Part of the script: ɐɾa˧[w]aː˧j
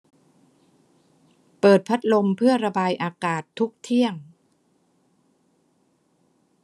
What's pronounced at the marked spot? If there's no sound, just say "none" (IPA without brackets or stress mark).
b